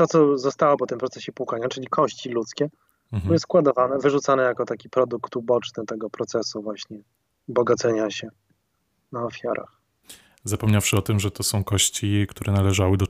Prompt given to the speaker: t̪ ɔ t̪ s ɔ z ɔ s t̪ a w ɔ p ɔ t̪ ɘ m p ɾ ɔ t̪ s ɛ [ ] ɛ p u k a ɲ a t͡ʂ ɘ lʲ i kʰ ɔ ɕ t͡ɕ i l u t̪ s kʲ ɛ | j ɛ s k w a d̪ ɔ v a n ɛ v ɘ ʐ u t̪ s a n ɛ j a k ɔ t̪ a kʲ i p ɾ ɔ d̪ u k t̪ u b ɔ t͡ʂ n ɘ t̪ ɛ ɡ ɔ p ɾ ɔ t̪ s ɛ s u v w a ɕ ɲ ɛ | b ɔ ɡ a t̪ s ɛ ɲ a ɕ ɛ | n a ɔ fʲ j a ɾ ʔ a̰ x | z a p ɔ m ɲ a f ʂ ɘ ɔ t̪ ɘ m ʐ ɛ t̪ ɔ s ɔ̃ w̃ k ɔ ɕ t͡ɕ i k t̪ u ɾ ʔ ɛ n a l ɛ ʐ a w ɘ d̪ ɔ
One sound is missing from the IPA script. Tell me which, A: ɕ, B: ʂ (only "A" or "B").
A